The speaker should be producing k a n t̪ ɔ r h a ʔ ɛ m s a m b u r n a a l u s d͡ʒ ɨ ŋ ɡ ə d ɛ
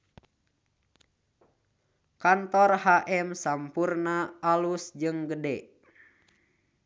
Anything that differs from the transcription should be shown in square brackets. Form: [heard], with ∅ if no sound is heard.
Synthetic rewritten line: k a n t̪ ɔ r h a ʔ ɛ m s a m [p] u r n a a l u s d͡ʒ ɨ ŋ ɡ ə d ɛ